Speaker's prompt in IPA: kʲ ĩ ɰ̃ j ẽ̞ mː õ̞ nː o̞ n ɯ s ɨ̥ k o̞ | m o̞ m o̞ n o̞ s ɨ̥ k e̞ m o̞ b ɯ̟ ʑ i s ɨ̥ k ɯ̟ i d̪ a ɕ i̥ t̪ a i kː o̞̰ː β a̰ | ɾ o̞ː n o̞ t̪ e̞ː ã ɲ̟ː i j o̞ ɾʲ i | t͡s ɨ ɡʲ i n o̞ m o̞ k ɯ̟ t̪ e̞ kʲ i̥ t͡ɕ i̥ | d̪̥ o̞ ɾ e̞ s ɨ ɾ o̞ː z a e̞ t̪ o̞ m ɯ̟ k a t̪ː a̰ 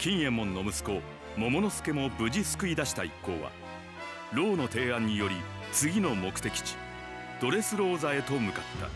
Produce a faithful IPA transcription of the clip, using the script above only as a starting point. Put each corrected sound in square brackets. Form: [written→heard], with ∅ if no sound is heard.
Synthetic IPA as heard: kʲ ĩ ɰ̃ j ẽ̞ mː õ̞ nː o̞ [n→m] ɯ s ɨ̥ k o̞ | m o̞ m o̞ n o̞ s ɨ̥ k e̞ m o̞ b ɯ̟ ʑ i s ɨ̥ k ɯ̟ i d̪ a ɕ i̥ t̪ a i kː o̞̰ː β a̰ | ɾ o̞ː n o̞ t̪ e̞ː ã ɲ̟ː i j o̞ ɾʲ i | t͡s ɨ ɡʲ i n o̞ m o̞ k ɯ̟ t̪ e̞ kʲ i̥ t͡ɕ i̥ | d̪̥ o̞ ɾ e̞ s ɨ ɾ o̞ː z a e̞ t̪ o̞ m ɯ̟ k a t̪ː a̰